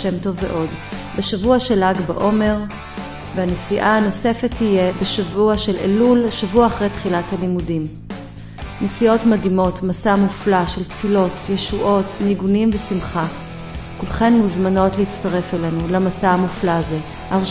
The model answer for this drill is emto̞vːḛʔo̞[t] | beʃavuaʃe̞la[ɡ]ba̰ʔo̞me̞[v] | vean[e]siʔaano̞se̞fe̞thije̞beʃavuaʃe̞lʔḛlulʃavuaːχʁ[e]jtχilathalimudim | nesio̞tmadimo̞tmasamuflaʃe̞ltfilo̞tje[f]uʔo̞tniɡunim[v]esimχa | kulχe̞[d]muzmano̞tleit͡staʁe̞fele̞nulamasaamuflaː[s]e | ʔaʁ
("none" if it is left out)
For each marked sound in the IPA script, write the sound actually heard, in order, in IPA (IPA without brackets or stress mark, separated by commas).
d, ɡ, ʁ, e, e, ʃ, v, n, z